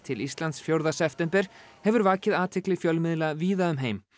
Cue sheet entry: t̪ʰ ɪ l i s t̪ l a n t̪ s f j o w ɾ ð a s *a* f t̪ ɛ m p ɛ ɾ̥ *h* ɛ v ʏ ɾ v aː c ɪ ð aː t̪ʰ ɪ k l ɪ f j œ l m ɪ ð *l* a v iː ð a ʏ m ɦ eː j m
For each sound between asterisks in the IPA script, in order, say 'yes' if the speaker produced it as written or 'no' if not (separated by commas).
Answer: no, yes, yes